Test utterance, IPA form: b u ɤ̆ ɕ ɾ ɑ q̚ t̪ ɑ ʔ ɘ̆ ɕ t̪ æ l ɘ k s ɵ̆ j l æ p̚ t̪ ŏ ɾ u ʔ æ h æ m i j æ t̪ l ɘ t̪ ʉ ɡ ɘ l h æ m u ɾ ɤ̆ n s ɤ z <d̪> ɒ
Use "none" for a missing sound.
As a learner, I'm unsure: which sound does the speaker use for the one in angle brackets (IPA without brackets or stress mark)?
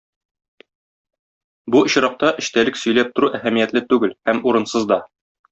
d̪